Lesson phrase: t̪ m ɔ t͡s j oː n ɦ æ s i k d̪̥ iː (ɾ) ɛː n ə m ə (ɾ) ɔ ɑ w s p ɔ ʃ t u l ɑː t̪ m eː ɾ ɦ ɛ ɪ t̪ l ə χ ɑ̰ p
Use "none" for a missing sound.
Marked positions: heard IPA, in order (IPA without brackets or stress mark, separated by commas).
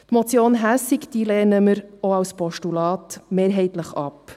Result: l, ɾ